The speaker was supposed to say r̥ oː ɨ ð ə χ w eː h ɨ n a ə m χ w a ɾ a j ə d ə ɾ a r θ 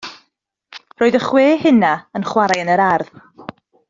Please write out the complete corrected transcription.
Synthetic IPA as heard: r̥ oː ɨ ð ə χ w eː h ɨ n a ə n χ w a ɾ a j ə n ə ɾ a r ð

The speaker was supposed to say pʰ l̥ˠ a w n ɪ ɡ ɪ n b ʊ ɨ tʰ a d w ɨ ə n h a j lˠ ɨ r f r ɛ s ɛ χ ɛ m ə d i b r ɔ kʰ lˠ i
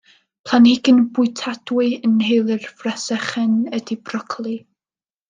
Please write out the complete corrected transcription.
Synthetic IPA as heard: pʰ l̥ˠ a n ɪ ɡ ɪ n b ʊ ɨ tʰ a d w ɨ ə n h e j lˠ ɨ r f r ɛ s ɛ χ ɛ n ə d i b r ɔ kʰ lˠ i

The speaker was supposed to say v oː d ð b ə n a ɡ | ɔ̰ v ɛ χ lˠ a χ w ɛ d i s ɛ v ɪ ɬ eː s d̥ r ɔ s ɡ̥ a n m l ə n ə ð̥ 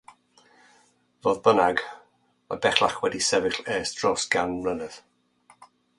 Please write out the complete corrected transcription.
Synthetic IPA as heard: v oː ð b ə n a ɡ | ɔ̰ b ɛ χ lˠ a χ w ɛ d i s ɛ v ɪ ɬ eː s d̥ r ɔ s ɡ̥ a n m l ə n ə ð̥

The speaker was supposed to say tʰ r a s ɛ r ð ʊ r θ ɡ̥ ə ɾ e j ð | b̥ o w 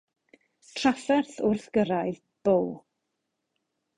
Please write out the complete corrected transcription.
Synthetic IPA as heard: tʰ r a f ɛ r θ ʊ r θ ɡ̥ ə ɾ a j ð | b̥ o w

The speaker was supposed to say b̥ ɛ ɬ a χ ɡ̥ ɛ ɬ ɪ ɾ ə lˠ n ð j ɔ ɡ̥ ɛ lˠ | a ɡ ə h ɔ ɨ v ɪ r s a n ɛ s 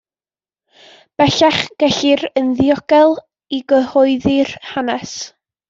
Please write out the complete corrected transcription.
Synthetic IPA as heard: b̥ ɛ ɬ a χ ɡ̥ ɛ ɬ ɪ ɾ ə n ð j ɔ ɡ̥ ɛ lˠ | i ɡ ə h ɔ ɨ ð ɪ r h a n ɛ s

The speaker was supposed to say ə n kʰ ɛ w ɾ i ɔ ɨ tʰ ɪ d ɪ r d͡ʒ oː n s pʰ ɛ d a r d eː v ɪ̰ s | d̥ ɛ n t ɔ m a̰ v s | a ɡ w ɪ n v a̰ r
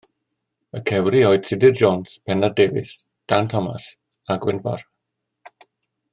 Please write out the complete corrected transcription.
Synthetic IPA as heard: ə kʰ ɛ w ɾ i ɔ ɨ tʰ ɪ d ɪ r d͡ʒ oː n s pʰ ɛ n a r d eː v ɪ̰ s | d̥ a n tʰ ɔ m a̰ s | a ɡ w ɪ n v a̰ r

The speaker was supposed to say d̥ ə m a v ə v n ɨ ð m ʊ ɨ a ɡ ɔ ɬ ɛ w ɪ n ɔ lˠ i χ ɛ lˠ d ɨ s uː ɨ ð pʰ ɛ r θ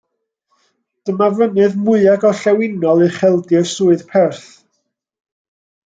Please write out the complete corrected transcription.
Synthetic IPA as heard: d̥ ə m a v ə n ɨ ð m ʊ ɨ a ɡ ɔ ɬ ɛ w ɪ n ɔ lˠ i χ ɛ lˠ d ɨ s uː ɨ ð pʰ ɛ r θ

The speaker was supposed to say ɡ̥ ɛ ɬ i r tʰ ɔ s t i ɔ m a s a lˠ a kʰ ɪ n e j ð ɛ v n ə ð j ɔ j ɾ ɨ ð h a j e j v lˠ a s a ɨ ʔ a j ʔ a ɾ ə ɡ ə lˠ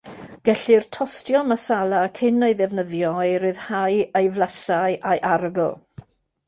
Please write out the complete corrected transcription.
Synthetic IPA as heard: ɡ̥ ɛ ɬ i r tʰ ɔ s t j ɔ m a s a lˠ a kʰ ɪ n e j ð ɛ v n ə ð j ɔ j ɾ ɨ ð h a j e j v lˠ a s a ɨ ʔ a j ʔ a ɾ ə ɡ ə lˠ

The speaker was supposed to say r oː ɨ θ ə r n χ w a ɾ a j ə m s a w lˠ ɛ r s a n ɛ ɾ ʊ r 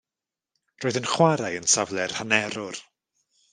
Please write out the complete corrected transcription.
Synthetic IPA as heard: r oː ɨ ð ə n χ w a ɾ a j ə n s a v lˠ ɛ r h a n ɛ ɾ ʊ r

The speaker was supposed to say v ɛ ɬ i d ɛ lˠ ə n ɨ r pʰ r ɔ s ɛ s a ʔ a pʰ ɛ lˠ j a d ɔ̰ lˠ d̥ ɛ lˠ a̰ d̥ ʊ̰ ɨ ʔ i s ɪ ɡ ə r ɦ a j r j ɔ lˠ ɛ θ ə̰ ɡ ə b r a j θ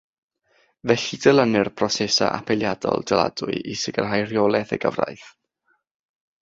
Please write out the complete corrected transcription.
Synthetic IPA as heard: v ɛ ɬ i d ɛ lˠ ə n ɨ r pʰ r ɔ s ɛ s a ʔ a pʰ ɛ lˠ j a d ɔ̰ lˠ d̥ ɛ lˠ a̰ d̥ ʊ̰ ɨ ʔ i s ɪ ɡ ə r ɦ a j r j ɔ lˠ ɛ θ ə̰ ɡ ə v r a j θ

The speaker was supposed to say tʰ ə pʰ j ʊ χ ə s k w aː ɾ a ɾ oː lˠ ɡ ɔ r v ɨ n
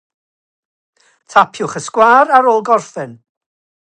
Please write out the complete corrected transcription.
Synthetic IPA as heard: tʰ a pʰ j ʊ χ ə s k w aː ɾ a ɾ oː lˠ ɡ ɔ r f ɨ n

